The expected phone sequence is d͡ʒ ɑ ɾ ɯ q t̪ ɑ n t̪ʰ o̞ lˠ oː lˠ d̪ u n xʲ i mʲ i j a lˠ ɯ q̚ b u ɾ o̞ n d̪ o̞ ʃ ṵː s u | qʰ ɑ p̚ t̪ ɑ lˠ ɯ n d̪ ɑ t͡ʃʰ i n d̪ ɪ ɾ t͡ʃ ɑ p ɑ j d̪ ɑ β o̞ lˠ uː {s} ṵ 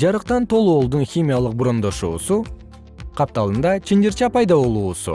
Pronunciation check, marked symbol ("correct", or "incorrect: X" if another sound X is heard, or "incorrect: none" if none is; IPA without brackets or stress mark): correct